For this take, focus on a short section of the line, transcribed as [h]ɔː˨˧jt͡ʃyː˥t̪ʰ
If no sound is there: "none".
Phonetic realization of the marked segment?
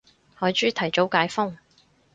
h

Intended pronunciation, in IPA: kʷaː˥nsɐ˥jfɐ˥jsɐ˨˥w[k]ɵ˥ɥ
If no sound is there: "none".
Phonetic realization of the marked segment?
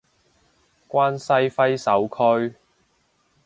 kʰ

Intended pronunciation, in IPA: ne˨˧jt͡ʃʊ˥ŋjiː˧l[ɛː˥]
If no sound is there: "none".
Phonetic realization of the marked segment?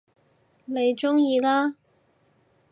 aː˥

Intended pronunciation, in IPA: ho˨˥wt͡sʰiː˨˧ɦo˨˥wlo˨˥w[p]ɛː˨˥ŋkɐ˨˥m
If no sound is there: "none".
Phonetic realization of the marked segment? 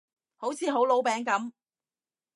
p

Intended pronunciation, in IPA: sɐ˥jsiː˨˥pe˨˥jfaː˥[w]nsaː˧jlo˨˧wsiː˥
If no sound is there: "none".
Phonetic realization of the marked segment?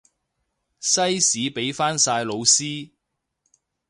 none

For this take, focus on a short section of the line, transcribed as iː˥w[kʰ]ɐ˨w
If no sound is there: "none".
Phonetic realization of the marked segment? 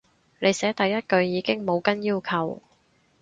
kʰ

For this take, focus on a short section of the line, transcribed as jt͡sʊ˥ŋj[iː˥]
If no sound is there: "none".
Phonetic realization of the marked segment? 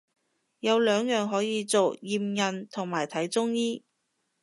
iː˥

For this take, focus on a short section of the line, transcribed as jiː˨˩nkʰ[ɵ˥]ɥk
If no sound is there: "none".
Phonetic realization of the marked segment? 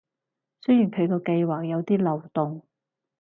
ɵ˨˧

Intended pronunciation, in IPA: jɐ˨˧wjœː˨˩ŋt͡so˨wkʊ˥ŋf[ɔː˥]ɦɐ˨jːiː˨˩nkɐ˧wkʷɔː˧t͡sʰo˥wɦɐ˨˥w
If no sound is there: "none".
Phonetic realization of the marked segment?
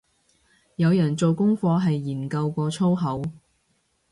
ɔː˧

